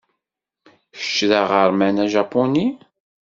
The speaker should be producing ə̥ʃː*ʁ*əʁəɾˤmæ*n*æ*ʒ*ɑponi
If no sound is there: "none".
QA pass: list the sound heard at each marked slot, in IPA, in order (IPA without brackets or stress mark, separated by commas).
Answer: ð, n, ʒ